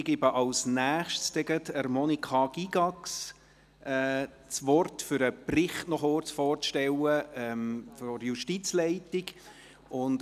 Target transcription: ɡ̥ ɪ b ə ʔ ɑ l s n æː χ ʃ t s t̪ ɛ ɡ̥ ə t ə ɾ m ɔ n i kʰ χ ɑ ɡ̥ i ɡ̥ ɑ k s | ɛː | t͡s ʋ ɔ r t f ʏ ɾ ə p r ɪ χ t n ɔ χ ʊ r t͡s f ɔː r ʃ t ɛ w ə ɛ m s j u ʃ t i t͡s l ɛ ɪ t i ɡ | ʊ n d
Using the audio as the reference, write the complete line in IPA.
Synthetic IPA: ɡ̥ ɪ b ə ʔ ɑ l s n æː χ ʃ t s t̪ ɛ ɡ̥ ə t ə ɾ m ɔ n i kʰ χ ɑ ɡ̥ i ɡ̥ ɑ k s | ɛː | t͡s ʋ ɔ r t f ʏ ɾ ə p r ɪ χ t n ɔ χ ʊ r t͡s f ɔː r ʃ t ɛ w ə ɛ m f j u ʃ t i t͡s l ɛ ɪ t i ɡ | ʊ n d